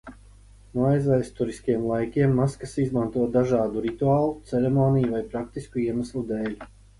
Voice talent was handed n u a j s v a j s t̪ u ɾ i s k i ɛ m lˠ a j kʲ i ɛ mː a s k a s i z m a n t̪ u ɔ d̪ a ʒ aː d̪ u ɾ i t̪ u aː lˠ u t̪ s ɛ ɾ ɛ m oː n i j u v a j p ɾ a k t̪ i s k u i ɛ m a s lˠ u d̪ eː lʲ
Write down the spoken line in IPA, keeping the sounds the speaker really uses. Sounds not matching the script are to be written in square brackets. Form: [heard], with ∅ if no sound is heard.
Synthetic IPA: n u a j [z] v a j s t̪ u ɾ i s k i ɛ m lˠ a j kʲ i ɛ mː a s k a s i z m a n t̪ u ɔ d̪ a ʒ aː d̪ u ɾ i t̪ u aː lˠ u t̪ s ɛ ɾ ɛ m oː n i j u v a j p ɾ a k t̪ i s k u i ɛ m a s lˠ u d̪ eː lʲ